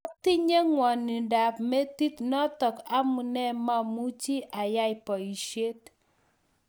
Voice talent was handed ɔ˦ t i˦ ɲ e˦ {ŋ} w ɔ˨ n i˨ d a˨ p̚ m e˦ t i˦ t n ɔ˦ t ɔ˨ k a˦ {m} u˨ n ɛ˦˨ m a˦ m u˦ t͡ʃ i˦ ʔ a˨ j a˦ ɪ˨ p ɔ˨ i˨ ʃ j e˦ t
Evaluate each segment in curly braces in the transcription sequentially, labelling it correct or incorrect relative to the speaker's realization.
correct, correct

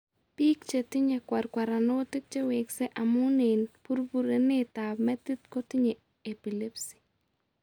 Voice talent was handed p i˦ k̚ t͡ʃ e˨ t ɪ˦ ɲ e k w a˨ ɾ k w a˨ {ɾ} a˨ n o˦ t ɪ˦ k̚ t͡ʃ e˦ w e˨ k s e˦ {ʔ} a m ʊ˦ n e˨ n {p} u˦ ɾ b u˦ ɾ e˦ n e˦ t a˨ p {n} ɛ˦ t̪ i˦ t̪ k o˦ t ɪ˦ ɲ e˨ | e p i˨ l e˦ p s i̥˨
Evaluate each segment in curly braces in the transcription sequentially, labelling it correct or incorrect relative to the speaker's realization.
correct, correct, correct, incorrect

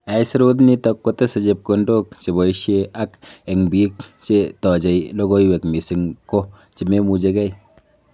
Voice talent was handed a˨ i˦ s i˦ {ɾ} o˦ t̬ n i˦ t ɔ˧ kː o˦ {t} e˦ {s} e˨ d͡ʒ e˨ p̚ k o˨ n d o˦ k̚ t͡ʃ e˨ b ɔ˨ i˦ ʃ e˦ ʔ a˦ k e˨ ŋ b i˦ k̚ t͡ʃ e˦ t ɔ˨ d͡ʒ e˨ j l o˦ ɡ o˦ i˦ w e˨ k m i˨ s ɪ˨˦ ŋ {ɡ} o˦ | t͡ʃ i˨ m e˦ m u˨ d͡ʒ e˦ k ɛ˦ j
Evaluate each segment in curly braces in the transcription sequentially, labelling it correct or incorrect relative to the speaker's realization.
correct, correct, correct, incorrect

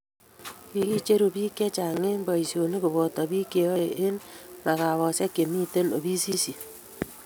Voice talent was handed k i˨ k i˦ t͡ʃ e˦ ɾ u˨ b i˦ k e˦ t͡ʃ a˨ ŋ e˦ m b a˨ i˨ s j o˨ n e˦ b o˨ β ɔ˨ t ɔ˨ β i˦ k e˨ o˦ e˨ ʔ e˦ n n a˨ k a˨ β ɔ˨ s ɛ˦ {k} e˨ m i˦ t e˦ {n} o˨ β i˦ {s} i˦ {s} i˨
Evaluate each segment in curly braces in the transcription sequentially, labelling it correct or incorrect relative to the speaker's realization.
correct, correct, correct, correct

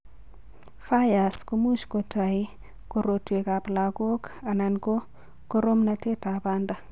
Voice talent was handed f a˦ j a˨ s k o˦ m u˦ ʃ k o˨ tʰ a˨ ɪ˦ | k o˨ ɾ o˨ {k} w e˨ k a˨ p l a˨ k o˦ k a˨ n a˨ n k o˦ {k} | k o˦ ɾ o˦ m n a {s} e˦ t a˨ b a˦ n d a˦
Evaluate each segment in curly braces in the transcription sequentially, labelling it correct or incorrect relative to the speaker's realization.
incorrect, incorrect, incorrect

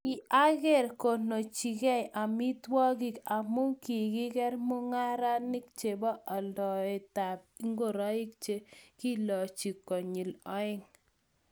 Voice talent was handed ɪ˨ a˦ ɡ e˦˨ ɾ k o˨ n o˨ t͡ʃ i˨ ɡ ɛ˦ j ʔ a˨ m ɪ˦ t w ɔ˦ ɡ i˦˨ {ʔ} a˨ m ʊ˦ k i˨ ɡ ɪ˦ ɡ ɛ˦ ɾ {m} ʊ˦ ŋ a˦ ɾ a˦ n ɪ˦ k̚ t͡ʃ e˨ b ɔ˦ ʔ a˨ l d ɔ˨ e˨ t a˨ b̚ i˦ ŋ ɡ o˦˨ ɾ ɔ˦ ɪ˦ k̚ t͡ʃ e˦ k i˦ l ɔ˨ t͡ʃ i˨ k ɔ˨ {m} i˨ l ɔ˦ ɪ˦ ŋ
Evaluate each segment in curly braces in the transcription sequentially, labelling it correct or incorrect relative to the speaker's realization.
incorrect, correct, incorrect

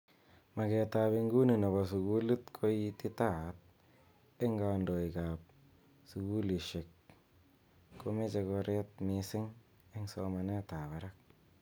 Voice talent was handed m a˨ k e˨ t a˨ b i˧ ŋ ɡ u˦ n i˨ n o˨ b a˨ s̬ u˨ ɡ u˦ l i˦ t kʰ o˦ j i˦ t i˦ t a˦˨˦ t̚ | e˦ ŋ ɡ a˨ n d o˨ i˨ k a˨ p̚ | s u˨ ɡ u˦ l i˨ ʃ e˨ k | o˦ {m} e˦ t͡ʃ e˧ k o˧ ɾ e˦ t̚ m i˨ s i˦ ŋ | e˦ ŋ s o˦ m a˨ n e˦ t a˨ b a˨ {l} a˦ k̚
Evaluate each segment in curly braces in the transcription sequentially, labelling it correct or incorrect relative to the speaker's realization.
correct, incorrect

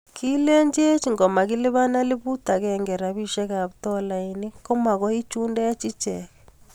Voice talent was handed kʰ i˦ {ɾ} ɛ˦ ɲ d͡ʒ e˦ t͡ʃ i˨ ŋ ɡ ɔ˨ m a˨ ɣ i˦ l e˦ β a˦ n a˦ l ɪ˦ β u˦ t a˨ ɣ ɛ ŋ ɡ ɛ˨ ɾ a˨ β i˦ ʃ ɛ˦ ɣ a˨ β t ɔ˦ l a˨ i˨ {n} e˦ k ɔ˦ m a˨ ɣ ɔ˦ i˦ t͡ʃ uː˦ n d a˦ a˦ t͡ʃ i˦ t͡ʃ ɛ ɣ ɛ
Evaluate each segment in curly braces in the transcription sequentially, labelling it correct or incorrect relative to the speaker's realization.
incorrect, correct

